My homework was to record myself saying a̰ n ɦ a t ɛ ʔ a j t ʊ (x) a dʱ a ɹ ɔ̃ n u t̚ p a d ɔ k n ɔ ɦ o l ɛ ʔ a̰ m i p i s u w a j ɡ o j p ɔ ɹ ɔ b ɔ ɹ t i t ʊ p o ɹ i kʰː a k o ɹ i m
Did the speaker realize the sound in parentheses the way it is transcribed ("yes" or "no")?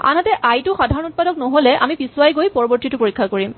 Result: yes